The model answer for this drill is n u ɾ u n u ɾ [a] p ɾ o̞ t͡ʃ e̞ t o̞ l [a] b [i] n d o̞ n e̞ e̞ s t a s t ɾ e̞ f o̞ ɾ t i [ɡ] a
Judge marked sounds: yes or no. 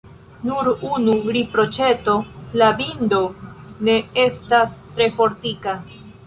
no, yes, yes, no

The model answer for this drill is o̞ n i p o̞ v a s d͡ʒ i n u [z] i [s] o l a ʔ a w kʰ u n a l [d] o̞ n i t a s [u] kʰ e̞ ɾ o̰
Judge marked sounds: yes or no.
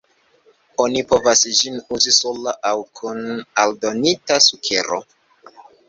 yes, yes, yes, yes

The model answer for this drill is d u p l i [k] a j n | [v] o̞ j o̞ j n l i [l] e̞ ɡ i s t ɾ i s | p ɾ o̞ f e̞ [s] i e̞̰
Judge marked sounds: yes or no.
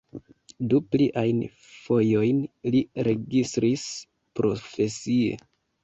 no, no, no, yes

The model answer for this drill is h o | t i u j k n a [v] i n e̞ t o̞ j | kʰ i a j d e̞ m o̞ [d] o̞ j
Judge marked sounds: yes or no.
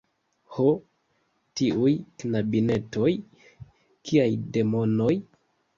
no, no

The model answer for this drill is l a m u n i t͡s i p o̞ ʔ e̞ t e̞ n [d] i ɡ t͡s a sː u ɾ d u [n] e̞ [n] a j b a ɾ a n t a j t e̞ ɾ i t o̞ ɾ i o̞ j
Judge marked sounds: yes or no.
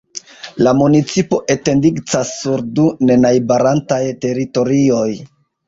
yes, yes, yes

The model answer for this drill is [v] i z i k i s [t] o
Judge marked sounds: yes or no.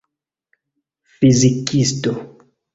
no, yes

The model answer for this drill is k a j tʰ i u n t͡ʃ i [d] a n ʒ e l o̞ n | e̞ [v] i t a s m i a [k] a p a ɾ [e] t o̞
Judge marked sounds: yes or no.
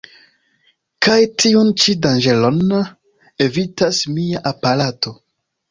yes, yes, no, no

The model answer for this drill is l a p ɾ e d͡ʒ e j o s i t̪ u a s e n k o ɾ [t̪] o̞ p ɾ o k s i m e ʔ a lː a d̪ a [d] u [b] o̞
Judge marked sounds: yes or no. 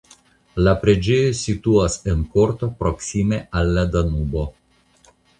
yes, no, yes

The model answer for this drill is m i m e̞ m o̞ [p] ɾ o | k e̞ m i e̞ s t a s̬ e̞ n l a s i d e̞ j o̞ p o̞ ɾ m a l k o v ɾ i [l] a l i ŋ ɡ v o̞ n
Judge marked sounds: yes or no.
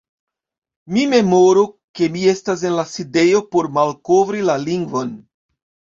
no, yes

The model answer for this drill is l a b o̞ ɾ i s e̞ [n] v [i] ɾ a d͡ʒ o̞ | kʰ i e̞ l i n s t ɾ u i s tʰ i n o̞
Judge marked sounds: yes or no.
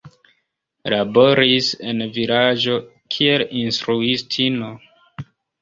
yes, yes

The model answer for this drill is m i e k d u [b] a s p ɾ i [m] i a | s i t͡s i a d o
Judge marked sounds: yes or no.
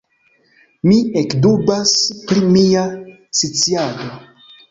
yes, yes

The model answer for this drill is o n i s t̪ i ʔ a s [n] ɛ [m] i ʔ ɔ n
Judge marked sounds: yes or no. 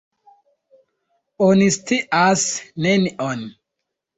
yes, no

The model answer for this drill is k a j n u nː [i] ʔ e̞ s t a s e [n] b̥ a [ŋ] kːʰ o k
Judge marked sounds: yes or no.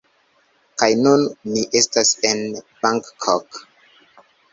yes, yes, yes

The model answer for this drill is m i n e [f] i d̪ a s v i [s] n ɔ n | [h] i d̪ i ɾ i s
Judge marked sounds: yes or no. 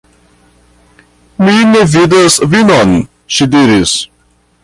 no, no, no

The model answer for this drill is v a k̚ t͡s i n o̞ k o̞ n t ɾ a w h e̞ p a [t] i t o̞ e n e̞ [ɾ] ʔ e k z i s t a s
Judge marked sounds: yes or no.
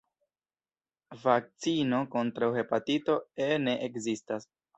yes, no

